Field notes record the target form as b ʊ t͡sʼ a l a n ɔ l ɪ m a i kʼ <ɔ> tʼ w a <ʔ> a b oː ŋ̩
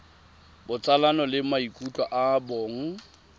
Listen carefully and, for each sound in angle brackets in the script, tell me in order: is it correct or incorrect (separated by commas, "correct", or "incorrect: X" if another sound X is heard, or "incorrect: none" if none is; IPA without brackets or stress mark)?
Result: incorrect: u, correct